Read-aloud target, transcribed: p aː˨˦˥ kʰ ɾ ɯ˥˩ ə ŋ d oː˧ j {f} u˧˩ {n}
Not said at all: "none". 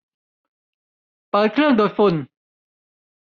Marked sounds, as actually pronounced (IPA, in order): f, n

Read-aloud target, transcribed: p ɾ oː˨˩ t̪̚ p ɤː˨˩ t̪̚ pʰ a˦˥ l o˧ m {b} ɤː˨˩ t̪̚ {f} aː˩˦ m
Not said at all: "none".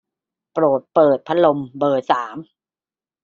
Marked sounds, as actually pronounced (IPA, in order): b, s

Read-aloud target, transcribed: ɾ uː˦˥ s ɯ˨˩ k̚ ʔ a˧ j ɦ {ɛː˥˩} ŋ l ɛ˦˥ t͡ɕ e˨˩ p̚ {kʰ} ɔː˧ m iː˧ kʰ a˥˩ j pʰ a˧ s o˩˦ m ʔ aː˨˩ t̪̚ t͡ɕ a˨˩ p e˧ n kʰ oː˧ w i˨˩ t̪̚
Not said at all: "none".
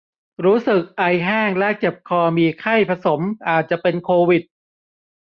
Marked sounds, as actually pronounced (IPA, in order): aː˥˩, kʰ

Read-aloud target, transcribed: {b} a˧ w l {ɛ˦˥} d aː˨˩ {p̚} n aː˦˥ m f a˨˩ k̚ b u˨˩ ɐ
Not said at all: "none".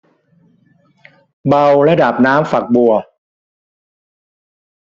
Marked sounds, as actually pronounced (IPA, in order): b, ɛ˦˥, p̚

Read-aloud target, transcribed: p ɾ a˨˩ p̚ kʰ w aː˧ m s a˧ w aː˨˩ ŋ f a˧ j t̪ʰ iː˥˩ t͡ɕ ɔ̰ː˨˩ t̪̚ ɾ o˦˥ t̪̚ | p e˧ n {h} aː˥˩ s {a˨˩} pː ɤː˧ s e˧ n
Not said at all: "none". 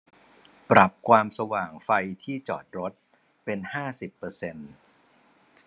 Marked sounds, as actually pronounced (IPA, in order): h, i˨˩

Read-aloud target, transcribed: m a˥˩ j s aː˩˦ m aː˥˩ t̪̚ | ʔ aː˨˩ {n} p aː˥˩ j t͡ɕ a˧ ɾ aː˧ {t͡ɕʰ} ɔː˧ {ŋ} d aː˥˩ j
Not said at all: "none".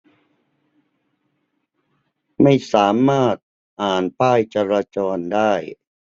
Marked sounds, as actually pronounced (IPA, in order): n, t͡ɕ, n

